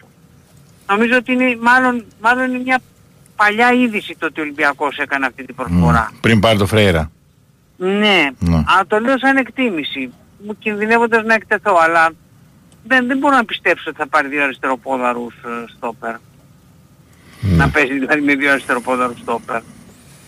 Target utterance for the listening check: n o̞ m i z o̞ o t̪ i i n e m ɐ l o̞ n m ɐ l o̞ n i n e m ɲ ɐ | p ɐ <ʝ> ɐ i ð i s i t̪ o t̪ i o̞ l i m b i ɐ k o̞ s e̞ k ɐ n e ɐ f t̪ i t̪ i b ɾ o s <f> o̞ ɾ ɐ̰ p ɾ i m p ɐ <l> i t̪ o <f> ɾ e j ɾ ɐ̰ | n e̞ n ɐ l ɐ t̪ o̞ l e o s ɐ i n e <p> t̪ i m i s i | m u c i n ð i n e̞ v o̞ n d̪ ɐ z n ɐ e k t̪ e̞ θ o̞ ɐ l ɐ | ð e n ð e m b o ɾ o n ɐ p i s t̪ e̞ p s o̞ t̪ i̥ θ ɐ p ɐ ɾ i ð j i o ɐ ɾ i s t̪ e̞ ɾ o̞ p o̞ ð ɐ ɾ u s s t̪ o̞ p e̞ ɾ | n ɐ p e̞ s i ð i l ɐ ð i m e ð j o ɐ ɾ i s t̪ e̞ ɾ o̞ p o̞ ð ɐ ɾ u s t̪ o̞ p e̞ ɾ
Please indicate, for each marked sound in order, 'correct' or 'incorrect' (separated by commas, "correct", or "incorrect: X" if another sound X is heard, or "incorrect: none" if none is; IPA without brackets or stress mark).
incorrect: ʎ, correct, incorrect: ɾ, correct, incorrect: k